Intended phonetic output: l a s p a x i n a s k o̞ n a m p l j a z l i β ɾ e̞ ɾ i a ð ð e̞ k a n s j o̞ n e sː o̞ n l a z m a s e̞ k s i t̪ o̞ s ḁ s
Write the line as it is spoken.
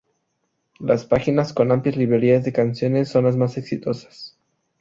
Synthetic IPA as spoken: l a s p a x i n a s k o̞ n a m p l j a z l i β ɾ e̞ ɾ i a z ð e̞ k a n s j o̞ n e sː o̞ n l a z m a s e̞ k s i t̪ o̞ s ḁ s